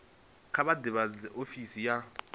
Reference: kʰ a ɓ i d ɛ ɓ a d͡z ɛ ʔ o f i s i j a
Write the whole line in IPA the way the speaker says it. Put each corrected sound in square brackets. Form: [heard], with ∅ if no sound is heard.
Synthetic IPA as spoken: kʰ a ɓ [a] d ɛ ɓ a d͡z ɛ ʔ o f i s i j a